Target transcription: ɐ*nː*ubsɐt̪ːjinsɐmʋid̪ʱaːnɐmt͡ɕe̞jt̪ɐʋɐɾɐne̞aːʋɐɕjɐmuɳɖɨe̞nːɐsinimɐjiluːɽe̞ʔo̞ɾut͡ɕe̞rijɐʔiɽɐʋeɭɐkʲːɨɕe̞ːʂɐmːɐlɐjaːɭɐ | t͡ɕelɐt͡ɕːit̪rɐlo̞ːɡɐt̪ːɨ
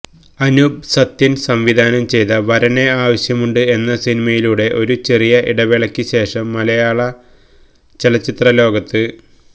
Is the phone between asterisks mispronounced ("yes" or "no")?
yes